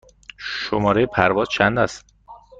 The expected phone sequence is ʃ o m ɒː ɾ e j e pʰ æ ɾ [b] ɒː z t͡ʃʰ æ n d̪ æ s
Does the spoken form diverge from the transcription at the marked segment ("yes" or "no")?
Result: yes